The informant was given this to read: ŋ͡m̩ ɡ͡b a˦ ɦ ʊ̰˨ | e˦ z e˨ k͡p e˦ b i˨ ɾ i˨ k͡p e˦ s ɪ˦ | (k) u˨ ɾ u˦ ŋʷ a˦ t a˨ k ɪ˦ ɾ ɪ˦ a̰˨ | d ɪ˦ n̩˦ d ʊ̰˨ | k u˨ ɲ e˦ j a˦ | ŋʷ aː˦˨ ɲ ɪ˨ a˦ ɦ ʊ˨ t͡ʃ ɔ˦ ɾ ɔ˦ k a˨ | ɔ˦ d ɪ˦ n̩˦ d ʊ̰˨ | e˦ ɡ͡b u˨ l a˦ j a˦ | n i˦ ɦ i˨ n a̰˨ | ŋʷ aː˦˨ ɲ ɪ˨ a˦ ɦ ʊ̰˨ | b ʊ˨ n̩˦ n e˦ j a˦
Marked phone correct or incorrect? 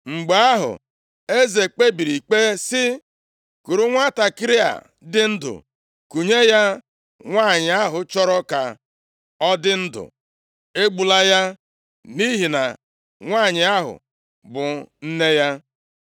correct